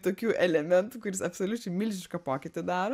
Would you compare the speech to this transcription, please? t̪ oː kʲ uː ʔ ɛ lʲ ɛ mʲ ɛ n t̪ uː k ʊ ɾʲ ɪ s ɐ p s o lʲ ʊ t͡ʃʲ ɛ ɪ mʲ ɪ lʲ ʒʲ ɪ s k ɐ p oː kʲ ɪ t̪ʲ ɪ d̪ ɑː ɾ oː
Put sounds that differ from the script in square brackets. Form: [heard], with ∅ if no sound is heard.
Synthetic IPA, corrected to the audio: t̪ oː kʲ uː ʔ ɛ lʲ ɛ mʲ ɛ n t̪ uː k ʊ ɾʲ ɪ s ɐ p s o lʲ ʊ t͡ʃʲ ɛ ɪ mʲ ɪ lʲ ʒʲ ɪ [ʃ] k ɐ p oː kʲ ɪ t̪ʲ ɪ d̪ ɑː ɾ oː